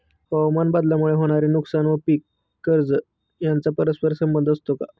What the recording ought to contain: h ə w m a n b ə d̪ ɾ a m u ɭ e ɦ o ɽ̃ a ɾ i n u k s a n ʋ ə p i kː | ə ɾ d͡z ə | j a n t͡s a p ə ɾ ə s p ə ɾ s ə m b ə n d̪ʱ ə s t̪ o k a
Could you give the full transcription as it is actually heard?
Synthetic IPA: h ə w m a n b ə d̪ l a m u ɭ e ɦ o ɽ̃ a ɾ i n u k s a n ʋ ə p i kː | ə ɾ d͡z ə | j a n t͡s a p ə ɾ ə s p ə ɾ s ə m b ə n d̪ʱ ə s t̪ o k a